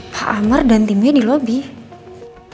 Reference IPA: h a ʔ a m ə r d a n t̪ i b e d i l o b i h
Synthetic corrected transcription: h a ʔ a m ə r d a n t̪ i m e d i l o b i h